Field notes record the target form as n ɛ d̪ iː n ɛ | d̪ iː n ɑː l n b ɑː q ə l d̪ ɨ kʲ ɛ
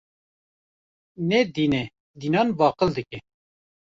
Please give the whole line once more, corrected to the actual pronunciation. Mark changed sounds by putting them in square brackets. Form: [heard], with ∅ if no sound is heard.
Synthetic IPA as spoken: n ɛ d̪ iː n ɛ | d̪ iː n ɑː [∅] n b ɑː q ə l d̪ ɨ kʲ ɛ